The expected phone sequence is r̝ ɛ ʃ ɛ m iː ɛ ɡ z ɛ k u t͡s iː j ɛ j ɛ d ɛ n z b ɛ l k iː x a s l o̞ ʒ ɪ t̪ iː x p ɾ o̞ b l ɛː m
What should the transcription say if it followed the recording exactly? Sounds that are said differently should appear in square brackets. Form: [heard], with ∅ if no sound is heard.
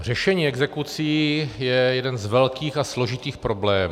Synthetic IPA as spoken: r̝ ɛ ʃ ɛ [ɲ] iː ɛ ɡ z ɛ k u t͡s iː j ɛ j ɛ d ɛ n z [v] ɛ l k iː x a s l o̞ ʒ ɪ t̪ iː x p ɾ o̞ b l ɛː m

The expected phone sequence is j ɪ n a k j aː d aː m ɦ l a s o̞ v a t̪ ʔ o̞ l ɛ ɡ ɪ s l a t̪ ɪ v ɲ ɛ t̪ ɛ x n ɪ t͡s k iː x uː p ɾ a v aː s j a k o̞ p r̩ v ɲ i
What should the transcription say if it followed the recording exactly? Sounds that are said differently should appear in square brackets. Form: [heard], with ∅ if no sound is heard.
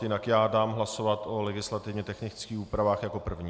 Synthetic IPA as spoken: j ɪ n a k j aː d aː m ɦ l a s o̞ v a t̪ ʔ o̞ l ɛ ɡ ɪ s l a t̪ ɪ v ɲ ɛ t̪ ɛ x n ɪ t͡s k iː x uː p ɾ a v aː [x] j a k o̞ p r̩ v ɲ i

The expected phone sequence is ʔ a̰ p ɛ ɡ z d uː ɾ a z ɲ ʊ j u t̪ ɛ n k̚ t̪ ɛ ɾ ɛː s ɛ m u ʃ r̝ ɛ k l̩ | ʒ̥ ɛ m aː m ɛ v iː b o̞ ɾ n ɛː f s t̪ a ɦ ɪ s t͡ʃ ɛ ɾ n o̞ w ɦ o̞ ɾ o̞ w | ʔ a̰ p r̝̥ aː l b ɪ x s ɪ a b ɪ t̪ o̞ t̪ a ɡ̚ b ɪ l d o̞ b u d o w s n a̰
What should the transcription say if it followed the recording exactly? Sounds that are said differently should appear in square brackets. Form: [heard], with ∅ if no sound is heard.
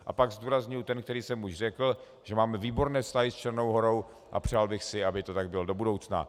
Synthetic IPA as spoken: ʔ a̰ p [a] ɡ z d uː ɾ a z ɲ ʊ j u t̪ ɛ n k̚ t̪ ɛ ɾ [iː] s ɛ m u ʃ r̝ ɛ k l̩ | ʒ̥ ɛ m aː m ɛ v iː b o̞ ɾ n ɛː f s t̪ a ɦ ɪ s t͡ʃ ɛ ɾ n o̞ w ɦ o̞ ɾ o̞ w | ʔ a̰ p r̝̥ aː l b ɪ x s ɪ a b ɪ t̪ o̞ t̪ a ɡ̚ b ɪ l d o̞ b u d o w [t͡s] n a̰

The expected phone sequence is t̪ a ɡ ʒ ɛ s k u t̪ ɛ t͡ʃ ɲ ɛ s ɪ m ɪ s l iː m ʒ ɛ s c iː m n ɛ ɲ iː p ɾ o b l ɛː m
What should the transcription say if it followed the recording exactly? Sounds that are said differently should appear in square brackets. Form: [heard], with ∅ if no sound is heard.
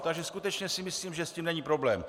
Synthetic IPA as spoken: t̪ a ɡ ʒ ɛ s k u t̪ ɛ t͡ʃ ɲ ɛ s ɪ m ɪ s l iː m ʒ ɛ s c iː m n ɛ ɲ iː p ɾ o b l ɛː m

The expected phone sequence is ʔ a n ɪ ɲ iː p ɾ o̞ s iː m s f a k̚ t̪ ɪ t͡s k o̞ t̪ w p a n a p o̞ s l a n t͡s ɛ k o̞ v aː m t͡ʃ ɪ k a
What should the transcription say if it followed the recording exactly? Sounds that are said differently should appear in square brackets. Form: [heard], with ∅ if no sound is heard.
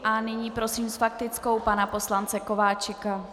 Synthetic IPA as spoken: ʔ a n ɪ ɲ iː p ɾ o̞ s iː m s f a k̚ t̪ ɪ t͡s k o̞ [∅] w p a n a p o̞ s l a n t͡s ɛ k o̞ v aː [∅] t͡ʃ ɪ k a

